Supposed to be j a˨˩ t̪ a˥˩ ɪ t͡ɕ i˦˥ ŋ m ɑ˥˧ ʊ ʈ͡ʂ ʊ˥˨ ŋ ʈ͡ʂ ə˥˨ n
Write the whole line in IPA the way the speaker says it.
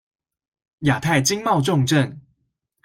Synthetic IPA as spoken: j a˨˩ t̪ʰ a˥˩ ɪ t͡ɕ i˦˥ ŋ m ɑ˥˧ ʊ ʈ͡ʂ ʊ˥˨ ŋ ʈ͡ʂ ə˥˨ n